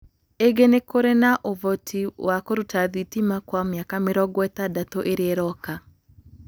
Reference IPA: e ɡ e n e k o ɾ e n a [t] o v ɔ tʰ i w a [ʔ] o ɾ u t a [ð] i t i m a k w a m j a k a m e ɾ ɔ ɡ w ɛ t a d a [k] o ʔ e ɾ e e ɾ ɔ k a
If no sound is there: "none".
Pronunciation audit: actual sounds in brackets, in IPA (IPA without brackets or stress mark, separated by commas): ʔ, k, ð, t